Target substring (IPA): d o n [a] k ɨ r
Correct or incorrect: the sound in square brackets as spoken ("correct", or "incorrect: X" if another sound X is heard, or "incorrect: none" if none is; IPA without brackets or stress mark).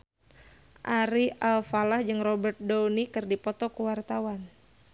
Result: incorrect: i